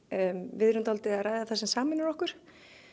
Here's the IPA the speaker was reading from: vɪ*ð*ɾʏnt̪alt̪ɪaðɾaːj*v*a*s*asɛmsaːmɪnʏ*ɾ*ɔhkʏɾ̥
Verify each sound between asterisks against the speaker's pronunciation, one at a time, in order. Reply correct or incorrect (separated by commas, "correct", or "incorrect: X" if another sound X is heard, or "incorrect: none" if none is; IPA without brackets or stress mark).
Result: correct, incorrect: ð, incorrect: θ, correct